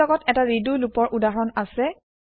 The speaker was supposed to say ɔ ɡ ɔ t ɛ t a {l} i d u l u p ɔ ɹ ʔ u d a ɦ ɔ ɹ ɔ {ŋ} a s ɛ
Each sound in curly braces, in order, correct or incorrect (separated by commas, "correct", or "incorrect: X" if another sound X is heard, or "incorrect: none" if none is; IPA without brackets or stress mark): incorrect: ɹ, incorrect: n